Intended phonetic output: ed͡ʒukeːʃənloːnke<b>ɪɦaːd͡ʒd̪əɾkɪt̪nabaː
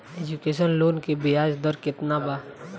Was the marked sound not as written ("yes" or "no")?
no